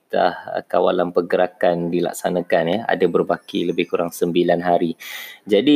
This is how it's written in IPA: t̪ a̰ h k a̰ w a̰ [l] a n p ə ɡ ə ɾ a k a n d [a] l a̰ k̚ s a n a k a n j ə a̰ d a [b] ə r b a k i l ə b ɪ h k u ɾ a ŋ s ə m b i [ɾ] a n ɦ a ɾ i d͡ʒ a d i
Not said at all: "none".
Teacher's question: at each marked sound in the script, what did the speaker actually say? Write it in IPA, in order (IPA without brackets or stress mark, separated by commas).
l, i, b, l